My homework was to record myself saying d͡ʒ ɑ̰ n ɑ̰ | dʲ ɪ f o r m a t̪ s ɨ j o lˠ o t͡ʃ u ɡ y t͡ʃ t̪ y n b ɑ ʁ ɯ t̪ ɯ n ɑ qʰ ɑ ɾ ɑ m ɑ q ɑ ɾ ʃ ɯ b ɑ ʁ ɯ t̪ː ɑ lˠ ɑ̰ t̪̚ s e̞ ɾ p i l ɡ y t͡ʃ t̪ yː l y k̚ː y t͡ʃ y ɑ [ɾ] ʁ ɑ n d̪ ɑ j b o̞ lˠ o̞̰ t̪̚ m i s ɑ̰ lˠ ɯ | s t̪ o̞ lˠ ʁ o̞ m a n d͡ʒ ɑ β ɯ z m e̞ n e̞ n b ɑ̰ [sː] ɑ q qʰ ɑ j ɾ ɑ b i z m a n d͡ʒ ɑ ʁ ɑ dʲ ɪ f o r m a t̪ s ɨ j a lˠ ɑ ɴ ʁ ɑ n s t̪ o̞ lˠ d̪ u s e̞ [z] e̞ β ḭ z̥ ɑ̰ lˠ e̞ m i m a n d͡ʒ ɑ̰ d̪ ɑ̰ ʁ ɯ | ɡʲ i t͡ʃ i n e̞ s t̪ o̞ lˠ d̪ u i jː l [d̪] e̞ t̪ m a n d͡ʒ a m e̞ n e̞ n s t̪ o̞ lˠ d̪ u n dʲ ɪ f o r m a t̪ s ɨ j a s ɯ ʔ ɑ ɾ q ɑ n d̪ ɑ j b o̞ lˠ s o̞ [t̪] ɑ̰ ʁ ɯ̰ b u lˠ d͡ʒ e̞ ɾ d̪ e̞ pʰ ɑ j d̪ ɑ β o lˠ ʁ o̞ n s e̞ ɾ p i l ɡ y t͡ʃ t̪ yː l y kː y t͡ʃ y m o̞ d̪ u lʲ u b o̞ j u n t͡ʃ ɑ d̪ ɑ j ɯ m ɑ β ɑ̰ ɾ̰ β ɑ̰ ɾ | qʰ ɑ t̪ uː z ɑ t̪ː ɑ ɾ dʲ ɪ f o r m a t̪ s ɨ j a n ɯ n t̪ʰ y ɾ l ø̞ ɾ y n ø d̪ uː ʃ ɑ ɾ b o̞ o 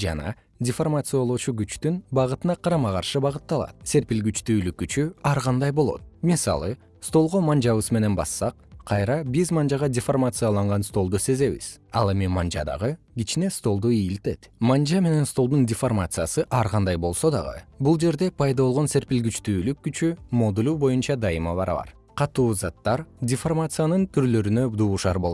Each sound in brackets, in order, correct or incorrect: correct, correct, correct, incorrect: t̪, incorrect: d̪

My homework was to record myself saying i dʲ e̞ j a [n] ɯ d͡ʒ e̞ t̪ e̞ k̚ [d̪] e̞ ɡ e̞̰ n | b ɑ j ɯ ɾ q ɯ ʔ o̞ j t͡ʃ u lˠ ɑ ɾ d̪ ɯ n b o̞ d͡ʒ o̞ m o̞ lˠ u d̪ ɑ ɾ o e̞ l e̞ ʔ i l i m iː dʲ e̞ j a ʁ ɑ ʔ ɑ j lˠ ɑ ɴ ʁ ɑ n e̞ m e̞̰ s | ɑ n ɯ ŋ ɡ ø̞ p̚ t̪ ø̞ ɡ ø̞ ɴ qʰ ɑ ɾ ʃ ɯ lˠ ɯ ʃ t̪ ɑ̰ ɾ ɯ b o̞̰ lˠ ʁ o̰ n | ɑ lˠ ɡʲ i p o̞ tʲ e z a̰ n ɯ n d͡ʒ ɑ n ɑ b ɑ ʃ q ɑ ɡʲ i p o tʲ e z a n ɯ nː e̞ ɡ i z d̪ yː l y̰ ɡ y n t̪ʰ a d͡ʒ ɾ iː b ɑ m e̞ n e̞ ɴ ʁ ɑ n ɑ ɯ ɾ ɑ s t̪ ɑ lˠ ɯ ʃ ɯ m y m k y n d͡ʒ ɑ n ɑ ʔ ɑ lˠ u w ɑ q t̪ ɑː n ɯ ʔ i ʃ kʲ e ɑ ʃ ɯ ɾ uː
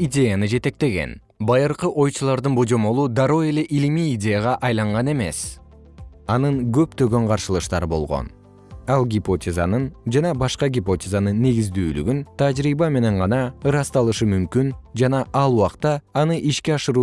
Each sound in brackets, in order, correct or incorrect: correct, incorrect: t̪

